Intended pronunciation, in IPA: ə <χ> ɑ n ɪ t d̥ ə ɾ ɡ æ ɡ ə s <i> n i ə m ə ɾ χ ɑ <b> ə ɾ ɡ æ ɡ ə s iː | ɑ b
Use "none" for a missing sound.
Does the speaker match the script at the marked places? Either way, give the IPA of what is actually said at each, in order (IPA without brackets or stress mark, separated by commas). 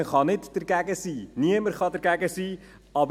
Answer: χ, iː, d